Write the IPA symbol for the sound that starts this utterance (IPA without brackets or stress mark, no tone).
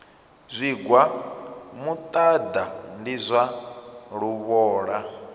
zʷ